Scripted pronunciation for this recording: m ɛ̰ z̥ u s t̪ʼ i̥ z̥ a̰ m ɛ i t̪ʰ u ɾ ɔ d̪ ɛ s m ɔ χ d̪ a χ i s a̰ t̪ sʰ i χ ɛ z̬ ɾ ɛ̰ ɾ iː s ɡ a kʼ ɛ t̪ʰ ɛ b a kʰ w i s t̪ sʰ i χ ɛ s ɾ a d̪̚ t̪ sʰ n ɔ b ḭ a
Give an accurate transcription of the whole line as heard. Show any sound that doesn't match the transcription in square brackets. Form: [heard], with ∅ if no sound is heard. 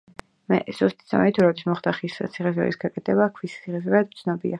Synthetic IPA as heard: m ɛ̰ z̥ u s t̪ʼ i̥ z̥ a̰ m ɛ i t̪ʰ u ɾ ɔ d̪ [i] s m ɔ χ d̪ a χ i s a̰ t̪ sʰ i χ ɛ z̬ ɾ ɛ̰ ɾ [i] s ɡ a kʼ ɛ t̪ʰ ɛ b a kʰ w i s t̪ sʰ i χ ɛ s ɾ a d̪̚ t̪ sʰ n ɔ b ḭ a